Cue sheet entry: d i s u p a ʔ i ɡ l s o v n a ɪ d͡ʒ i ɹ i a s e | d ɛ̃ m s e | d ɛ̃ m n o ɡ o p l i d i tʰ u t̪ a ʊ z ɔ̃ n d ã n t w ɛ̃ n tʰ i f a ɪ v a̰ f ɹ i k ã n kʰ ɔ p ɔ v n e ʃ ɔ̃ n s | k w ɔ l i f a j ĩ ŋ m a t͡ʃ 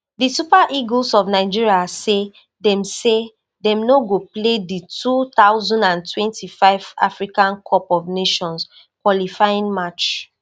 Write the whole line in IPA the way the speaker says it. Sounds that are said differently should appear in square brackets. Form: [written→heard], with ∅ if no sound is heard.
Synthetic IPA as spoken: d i s u p a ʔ i ɡ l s [o→ɔ] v n a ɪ d͡ʒ i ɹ i a s e | d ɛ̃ m s e | d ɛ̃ m n o ɡ o p l [i→e] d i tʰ u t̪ a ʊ z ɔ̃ n d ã n t w ɛ̃ n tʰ i f a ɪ v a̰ f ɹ i k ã n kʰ ɔ p ɔ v n e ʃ ɔ̃ n s | k w ɔ l i f a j ĩ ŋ m a t͡ʃ